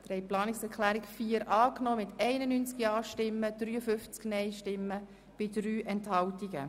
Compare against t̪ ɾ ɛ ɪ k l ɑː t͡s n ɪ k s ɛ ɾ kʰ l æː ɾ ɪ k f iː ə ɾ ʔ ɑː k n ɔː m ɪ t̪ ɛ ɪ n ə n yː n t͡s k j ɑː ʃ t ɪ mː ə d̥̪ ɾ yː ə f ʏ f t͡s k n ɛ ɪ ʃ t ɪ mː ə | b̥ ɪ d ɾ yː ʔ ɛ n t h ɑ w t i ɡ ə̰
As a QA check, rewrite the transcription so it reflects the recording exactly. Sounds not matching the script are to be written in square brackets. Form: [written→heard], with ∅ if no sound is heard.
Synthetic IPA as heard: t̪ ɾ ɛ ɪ [k→p] l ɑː [t͡s→∅] n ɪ k s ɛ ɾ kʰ l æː ɾ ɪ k f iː ə ɾ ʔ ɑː k n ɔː m ɪ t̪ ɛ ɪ n ə n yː n t͡s k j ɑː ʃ t ɪ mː ə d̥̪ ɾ yː ə f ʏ f t͡s k n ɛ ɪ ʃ t ɪ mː ə | b̥ ɪ d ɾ yː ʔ ɛ n t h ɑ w t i ɡ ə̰